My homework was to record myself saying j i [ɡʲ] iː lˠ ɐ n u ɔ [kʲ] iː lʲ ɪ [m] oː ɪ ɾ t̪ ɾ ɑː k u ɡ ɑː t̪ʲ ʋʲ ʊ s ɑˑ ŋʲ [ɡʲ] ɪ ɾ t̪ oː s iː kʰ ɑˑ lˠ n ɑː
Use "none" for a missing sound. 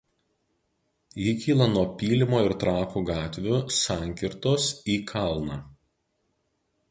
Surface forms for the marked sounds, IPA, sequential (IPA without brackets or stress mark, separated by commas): kʲ, pʲ, m, kʲ